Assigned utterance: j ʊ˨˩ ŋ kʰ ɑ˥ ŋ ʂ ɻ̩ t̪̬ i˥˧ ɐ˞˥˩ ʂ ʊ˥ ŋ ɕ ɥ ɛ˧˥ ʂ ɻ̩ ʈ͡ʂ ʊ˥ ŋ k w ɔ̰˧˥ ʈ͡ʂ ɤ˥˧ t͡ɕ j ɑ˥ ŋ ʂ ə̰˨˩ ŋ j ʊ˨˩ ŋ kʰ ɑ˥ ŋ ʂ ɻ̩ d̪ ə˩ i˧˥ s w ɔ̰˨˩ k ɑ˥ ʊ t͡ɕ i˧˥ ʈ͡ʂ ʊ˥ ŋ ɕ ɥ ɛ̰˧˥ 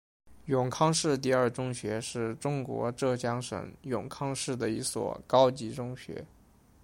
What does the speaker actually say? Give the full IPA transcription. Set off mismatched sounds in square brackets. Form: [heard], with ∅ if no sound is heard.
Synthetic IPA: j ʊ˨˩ ŋ kʰ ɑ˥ ŋ ʂ ɻ̩ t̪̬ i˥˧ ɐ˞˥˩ [ʈ͡ʂ] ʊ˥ ŋ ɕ ɥ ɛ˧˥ ʂ ɻ̩ ʈ͡ʂ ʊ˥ ŋ k w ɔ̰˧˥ ʈ͡ʂ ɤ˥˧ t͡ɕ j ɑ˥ ŋ ʂ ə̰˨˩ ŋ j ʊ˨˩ ŋ kʰ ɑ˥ ŋ ʂ ɻ̩ d̪ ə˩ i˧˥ s w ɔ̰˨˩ k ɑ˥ ʊ t͡ɕ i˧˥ ʈ͡ʂ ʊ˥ ŋ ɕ ɥ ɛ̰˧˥